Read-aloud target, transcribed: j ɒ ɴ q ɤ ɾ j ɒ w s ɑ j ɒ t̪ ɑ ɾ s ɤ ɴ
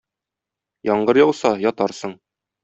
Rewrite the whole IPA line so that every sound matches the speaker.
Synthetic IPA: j ɒ ɴ ɢ ɤ ɾ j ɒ w s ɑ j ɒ t̪ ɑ ɾ s ɤ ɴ

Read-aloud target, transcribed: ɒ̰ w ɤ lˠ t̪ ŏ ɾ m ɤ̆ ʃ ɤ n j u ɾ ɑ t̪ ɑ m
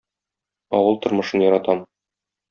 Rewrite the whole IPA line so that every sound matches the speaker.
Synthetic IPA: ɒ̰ w ɤ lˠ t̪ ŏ ɾ m ɤ̆ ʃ ɤ n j ɒ ɾ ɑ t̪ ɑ m

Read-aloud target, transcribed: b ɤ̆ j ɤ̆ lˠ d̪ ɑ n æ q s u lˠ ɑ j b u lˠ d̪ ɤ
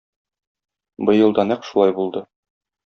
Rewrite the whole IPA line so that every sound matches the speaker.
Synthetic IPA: b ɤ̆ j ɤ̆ lˠ d̪ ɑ n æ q ʃ u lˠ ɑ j b u lˠ d̪ ɤ

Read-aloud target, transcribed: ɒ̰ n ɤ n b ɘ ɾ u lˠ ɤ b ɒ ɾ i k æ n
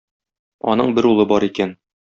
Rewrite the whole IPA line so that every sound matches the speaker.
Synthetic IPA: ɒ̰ n ɤ ɴ b ɘ ɾ u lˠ ɤ b ɒ ɾ i k æ n

